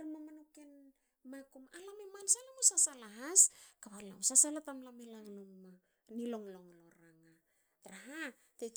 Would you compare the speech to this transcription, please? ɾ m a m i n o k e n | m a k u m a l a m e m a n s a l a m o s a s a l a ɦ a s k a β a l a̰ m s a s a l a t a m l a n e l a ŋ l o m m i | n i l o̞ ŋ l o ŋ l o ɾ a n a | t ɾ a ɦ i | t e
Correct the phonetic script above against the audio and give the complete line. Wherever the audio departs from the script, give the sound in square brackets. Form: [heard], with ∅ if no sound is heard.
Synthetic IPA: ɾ m a m [a] n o k e n | m a k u m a l a m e m a n s a l a m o s a s a l a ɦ a s k a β a l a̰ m s a s a l a t a m l a [m] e l a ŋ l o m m [a] | n i l o̞ ŋ l o ŋ l o ɾ a [ŋ] a | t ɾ a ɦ [a] | t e